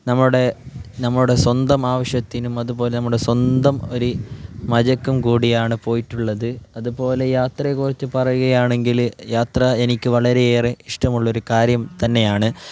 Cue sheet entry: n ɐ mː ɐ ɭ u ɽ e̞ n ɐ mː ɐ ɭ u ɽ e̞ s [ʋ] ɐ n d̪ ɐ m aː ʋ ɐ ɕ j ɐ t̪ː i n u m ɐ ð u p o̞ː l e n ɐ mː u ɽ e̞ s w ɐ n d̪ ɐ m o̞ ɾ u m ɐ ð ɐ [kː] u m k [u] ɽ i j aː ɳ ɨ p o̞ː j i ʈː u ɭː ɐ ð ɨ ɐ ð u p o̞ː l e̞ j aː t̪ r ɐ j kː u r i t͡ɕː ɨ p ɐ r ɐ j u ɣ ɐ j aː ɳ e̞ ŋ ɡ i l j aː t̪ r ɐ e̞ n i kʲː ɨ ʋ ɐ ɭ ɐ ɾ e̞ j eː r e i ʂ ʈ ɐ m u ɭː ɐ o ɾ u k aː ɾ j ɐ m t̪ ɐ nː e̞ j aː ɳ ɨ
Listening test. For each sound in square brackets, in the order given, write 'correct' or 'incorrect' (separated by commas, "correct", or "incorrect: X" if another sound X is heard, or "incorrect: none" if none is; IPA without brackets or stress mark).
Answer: incorrect: w, correct, incorrect: uː